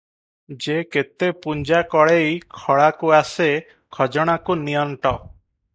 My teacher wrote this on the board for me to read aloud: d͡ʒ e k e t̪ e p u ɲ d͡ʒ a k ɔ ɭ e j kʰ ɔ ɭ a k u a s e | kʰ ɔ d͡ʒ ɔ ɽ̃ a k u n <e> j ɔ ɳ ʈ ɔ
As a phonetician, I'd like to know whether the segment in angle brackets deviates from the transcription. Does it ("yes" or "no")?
yes